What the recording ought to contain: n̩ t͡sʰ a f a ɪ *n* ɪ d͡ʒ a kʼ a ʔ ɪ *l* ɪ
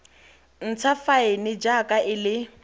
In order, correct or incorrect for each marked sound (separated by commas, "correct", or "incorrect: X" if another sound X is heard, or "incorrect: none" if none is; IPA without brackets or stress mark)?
correct, correct